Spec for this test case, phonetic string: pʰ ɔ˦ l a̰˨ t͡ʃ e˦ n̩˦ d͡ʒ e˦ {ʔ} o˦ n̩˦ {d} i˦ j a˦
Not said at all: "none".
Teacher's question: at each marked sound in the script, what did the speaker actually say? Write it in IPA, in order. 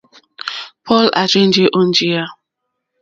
ʔ, d͡ʒ

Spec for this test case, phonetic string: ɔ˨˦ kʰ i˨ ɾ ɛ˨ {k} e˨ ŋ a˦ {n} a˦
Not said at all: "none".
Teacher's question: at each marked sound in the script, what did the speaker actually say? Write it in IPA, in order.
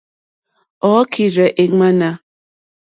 ʔ, n

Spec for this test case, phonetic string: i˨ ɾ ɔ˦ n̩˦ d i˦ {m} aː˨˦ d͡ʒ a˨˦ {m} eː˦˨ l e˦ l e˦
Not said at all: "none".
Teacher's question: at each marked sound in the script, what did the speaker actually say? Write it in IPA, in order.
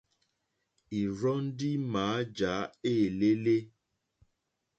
m, none

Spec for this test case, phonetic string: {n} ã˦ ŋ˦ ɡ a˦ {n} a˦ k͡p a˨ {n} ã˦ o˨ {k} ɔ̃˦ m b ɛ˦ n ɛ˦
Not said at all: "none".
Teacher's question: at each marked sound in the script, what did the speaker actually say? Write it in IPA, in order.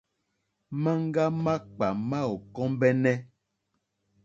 m, m, m, k

